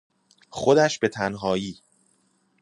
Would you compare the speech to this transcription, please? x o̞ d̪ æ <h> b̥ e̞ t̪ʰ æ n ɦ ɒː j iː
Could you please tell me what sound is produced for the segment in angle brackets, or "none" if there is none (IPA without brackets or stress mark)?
ʃ